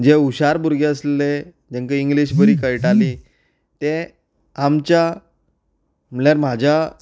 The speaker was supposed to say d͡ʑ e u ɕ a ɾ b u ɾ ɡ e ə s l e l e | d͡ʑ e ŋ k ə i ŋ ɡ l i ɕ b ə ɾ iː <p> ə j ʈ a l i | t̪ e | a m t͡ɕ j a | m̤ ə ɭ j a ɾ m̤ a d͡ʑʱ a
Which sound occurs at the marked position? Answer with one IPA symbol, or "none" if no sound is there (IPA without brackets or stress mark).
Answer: k